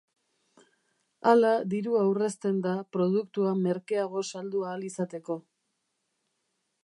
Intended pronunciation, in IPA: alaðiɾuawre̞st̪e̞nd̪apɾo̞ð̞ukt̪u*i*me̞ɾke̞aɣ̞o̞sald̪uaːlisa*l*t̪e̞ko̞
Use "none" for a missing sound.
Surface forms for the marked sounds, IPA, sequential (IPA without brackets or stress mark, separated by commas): a, none